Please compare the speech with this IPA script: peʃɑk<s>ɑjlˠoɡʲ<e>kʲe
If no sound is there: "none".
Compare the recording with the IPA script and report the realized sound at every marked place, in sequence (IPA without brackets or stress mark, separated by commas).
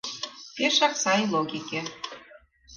s, i